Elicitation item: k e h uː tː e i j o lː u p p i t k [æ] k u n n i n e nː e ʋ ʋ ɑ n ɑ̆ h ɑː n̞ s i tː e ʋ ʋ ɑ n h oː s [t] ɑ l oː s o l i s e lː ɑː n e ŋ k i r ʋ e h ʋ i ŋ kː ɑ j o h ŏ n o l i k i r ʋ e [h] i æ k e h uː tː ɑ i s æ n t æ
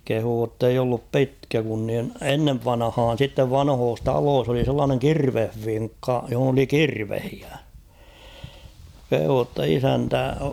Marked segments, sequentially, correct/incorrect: correct, correct, correct

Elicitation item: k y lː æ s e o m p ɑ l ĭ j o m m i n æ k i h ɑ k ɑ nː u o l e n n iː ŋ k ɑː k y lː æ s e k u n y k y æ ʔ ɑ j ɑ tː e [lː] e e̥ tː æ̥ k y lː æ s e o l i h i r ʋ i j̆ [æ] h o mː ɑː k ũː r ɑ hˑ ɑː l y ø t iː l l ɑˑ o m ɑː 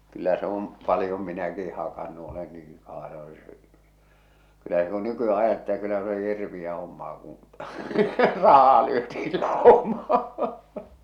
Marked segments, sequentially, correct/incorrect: incorrect: l, correct

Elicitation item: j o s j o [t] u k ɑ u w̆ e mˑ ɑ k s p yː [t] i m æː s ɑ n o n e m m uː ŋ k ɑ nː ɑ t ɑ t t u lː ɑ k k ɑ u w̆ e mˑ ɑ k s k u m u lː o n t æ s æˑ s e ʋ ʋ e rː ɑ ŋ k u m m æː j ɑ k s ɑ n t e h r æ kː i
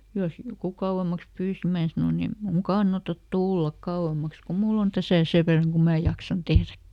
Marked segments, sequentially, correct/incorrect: incorrect: k, incorrect: s

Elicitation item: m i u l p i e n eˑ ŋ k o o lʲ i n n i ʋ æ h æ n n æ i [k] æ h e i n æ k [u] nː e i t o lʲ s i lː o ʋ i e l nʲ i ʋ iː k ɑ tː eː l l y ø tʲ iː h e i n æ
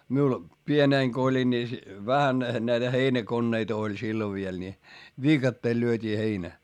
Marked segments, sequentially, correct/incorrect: incorrect: t, incorrect: o

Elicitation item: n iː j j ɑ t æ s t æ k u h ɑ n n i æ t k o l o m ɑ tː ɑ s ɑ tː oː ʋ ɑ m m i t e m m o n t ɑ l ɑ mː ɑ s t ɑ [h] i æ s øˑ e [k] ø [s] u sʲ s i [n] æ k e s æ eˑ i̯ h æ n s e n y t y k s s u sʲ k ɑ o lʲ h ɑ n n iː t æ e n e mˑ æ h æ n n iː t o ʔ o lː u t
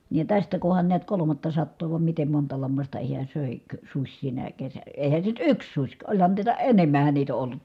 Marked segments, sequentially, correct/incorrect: correct, correct, correct, correct

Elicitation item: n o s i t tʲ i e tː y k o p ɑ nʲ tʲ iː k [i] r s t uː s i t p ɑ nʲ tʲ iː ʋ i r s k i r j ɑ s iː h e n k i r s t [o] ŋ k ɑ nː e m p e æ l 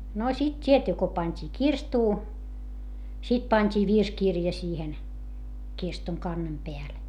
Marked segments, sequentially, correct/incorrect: correct, incorrect: u

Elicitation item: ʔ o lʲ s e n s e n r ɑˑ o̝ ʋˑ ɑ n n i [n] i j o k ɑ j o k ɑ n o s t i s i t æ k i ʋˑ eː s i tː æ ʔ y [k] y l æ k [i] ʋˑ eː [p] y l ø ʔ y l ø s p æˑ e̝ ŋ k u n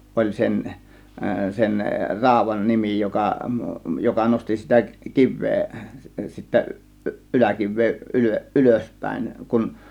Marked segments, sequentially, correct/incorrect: incorrect: m, incorrect: ʔ, correct, incorrect: ʔ

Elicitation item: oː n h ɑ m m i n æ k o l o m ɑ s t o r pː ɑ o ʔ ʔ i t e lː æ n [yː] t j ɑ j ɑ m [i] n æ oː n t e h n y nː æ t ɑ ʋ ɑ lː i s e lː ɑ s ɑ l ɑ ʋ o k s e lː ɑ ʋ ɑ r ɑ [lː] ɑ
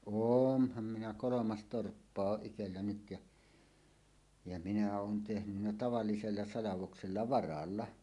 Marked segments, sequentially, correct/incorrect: incorrect: y, correct, correct

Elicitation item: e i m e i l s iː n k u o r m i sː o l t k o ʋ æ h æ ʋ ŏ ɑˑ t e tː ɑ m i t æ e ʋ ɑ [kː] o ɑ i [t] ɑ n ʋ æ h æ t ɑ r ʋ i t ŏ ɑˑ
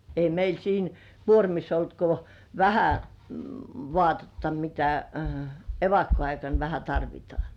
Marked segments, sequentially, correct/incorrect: correct, incorrect: k

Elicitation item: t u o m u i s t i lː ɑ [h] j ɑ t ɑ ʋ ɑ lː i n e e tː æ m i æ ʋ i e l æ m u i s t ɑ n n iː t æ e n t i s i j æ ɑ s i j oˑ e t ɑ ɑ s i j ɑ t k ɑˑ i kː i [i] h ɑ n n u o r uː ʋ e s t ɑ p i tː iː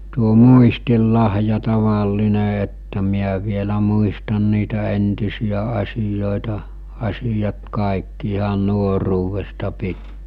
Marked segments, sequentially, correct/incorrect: correct, correct

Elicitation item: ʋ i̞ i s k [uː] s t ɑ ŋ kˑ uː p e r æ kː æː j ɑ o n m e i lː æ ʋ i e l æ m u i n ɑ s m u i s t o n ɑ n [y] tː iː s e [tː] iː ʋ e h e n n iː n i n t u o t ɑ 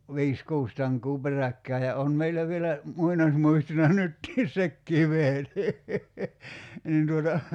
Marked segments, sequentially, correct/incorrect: correct, correct, incorrect: kː

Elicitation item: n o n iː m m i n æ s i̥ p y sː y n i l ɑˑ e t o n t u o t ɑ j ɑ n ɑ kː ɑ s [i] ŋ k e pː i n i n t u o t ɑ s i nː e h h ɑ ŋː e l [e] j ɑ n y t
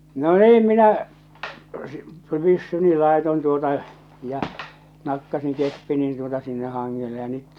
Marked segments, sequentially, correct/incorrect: correct, correct

